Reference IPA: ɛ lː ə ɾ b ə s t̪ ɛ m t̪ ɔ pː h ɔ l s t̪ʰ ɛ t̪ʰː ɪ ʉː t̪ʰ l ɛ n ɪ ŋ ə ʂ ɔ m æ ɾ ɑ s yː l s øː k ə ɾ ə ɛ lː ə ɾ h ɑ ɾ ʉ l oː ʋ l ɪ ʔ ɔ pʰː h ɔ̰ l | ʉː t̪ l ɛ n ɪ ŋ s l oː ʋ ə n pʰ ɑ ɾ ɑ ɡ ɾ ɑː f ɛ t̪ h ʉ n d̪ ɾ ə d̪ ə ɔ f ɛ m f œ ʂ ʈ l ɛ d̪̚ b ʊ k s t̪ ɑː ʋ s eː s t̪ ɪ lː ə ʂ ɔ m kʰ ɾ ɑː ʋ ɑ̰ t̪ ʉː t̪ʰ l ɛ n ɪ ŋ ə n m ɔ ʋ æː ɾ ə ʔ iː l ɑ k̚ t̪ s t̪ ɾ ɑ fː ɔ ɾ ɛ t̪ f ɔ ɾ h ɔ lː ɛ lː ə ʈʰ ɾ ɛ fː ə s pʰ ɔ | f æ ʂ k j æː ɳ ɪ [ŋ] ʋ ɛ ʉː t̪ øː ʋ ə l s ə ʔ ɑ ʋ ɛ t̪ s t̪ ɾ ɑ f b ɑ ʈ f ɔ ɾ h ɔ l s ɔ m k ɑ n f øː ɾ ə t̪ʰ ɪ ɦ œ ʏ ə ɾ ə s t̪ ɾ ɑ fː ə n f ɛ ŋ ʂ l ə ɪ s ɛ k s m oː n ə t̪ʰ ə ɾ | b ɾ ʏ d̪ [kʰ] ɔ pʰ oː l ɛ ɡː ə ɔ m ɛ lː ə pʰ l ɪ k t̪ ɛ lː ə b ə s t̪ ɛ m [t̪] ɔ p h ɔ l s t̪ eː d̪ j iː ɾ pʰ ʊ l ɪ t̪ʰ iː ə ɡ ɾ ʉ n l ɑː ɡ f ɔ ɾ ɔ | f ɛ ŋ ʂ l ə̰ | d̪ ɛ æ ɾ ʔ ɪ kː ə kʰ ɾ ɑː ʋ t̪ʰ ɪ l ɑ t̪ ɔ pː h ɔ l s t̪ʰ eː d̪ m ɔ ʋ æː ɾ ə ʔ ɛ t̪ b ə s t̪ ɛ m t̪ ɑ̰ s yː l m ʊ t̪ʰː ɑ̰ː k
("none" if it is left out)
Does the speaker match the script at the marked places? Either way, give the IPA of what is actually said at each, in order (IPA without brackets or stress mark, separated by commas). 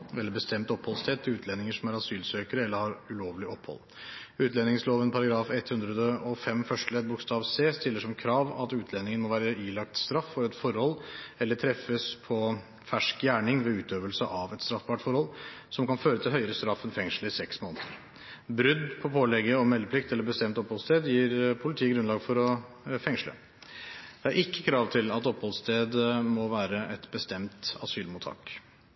ŋ, pʰ, t̪